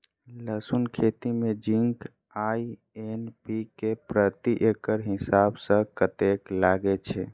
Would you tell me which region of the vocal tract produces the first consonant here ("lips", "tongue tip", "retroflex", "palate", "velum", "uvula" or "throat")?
tongue tip